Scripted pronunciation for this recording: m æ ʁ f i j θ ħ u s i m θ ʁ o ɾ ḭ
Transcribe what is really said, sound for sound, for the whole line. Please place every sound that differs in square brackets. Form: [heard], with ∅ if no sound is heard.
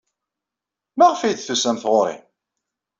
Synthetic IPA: m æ ʁ f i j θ [θ] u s [æ] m θ ʁ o ɾ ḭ